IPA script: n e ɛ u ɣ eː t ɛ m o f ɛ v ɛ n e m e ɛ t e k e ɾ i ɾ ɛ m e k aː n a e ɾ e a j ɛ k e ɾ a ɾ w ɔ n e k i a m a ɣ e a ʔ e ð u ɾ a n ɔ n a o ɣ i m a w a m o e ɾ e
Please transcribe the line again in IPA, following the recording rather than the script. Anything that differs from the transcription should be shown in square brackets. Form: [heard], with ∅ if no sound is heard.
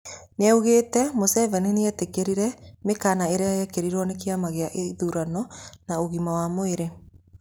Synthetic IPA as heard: n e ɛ u ɣ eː t ɛ m o [s] ɛ v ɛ n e [n] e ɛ t e k e ɾ i ɾ ɛ m e k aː n a e ɾ e a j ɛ k e ɾ [i] ɾ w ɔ n e k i a m a ɣ e a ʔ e ð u ɾ a n ɔ n a o ɣ i m a w a m o e ɾ e